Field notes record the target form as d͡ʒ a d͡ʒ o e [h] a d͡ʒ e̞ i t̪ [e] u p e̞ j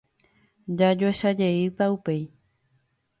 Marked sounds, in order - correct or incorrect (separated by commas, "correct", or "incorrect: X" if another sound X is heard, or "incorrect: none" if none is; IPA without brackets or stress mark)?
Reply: incorrect: ʃ, incorrect: a